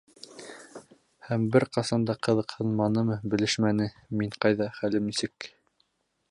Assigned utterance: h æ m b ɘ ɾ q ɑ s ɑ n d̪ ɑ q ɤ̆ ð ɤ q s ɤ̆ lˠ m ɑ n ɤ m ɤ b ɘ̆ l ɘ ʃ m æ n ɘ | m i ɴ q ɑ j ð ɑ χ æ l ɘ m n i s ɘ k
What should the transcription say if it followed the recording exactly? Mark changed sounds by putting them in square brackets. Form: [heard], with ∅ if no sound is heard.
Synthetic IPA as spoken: h æ m b ɘ ɾ q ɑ s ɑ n d̪ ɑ q ɤ̆ ð ɤ q [h] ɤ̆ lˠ m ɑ n ɤ m ɤ b ɘ̆ l ɘ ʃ m æ n ɘ | m i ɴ q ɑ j ð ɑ χ æ l ɘ m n i s ɘ k